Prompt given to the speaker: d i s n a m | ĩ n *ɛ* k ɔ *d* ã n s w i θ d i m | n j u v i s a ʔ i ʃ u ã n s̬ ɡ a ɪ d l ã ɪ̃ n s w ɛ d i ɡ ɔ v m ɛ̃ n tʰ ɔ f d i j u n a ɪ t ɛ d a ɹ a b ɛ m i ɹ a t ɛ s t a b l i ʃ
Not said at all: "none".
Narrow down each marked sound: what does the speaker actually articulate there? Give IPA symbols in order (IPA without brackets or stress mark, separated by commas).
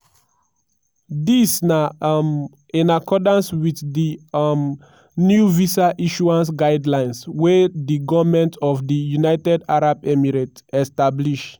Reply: a, d